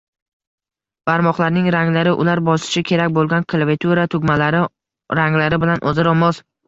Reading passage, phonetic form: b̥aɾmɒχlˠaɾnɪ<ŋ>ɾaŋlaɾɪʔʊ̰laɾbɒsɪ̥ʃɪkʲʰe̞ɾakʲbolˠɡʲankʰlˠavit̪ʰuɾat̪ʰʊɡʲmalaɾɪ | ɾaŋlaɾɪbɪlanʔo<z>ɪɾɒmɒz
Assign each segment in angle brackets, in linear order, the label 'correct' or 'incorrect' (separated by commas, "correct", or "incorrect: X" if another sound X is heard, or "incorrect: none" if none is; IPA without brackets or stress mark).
correct, correct